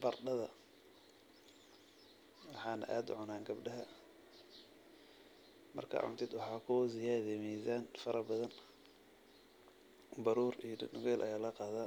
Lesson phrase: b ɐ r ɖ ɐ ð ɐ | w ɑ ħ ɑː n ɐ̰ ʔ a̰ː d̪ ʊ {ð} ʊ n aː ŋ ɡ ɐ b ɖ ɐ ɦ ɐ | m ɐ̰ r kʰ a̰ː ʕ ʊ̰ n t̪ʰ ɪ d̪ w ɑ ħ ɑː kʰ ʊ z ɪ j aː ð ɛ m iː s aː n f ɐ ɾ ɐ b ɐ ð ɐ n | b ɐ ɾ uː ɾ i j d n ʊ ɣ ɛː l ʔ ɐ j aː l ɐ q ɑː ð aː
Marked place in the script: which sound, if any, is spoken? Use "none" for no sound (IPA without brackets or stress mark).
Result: ʕ